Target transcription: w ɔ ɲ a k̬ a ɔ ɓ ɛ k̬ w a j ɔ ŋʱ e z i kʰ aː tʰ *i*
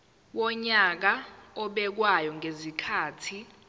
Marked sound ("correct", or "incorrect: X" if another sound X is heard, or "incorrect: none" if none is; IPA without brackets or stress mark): correct